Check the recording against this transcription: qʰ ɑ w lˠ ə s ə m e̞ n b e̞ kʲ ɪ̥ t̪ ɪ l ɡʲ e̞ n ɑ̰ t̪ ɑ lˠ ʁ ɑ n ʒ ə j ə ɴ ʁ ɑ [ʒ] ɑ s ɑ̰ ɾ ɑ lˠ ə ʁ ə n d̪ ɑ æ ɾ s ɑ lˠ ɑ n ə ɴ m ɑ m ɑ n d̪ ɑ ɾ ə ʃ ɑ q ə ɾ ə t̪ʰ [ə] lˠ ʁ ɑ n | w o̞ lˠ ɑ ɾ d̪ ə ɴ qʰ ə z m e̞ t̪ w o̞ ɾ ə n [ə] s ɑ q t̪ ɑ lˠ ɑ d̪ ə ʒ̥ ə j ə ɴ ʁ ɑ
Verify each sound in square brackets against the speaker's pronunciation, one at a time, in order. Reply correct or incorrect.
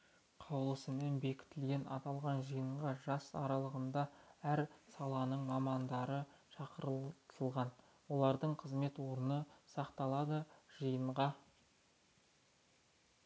correct, correct, correct

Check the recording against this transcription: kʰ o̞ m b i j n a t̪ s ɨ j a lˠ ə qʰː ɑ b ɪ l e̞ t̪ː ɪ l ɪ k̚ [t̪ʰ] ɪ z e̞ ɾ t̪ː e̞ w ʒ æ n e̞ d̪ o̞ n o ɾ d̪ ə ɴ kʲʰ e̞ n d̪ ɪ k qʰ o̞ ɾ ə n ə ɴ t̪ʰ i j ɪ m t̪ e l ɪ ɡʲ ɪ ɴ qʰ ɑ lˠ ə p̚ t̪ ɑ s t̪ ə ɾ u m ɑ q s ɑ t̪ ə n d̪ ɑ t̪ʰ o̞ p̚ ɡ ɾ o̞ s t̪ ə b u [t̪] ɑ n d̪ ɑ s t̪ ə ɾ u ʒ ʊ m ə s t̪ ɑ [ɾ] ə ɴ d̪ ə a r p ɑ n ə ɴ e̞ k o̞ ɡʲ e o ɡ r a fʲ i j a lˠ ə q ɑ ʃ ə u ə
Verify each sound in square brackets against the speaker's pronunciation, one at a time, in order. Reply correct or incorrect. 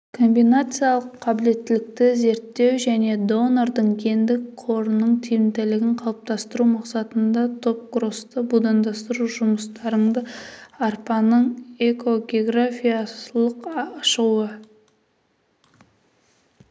incorrect: t̪, incorrect: d̪, correct

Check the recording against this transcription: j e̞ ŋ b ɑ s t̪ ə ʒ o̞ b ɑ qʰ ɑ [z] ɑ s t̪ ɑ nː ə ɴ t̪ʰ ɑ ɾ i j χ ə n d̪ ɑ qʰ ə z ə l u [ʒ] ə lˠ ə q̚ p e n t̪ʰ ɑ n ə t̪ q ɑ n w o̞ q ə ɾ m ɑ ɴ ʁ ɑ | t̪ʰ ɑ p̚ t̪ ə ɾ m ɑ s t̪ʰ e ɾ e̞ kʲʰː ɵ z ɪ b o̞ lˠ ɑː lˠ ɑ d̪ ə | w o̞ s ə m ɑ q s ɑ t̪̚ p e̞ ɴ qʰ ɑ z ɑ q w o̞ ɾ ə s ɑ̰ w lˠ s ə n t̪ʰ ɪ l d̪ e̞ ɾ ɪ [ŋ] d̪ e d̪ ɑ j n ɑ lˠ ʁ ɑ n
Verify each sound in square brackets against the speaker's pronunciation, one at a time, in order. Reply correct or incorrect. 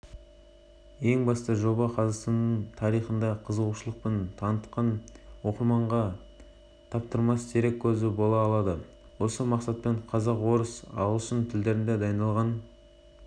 correct, incorrect: ʃ, incorrect: n

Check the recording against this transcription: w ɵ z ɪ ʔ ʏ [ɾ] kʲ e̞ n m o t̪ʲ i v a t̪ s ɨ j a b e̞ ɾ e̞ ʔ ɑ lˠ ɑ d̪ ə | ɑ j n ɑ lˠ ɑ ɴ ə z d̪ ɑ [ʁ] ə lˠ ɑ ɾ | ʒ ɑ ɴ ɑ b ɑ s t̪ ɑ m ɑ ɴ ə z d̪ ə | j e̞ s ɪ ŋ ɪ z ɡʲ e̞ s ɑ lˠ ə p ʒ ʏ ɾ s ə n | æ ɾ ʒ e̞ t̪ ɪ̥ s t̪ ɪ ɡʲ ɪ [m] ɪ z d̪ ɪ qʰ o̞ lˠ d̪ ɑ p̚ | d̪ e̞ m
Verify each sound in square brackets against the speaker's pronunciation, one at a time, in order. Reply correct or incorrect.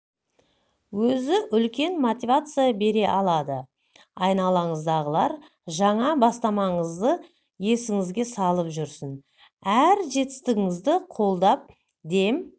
incorrect: l, correct, incorrect: ŋ

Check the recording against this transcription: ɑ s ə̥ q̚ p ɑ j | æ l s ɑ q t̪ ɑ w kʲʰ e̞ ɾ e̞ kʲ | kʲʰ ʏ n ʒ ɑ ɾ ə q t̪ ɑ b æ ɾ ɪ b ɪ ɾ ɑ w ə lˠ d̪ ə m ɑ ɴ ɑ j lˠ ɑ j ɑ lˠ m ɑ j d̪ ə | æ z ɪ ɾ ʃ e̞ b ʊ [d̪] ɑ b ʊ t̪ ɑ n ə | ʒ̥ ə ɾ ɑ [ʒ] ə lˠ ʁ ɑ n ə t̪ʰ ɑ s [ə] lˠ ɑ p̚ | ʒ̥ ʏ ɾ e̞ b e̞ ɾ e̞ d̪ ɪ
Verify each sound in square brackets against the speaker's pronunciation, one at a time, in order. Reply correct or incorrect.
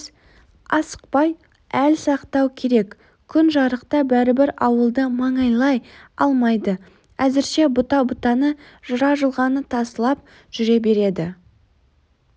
incorrect: t̪, correct, correct

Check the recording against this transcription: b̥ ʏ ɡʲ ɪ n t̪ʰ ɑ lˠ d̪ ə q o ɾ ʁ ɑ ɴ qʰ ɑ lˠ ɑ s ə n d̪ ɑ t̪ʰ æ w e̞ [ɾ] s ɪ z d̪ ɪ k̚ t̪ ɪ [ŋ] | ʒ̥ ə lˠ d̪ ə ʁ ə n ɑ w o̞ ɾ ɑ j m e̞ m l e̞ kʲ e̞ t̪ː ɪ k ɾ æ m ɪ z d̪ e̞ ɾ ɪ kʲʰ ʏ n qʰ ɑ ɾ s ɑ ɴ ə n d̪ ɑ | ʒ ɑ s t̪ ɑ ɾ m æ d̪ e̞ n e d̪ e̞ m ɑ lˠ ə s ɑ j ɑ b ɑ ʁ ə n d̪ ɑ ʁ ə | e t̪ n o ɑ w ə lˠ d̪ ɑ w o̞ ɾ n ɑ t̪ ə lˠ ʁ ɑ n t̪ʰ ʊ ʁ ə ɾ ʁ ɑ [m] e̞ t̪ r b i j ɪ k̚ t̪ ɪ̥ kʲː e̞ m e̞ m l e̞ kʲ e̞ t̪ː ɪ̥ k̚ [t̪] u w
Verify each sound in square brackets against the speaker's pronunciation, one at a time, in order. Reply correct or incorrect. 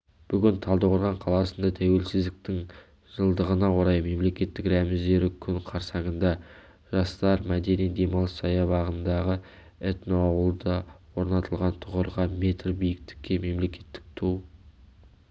incorrect: l, correct, correct, incorrect: t̪ʰ

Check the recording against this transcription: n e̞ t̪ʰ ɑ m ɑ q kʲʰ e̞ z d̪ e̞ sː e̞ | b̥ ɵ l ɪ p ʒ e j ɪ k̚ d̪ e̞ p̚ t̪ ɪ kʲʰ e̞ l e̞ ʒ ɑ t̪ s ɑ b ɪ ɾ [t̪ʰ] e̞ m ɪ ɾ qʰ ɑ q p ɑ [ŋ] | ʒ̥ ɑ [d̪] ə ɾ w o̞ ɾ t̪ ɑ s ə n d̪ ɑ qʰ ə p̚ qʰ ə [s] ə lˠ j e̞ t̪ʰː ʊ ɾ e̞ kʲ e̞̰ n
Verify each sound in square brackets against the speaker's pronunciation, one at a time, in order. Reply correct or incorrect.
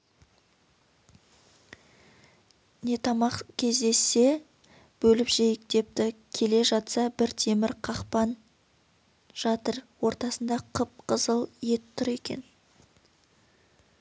correct, incorrect: n, incorrect: t̪, incorrect: z

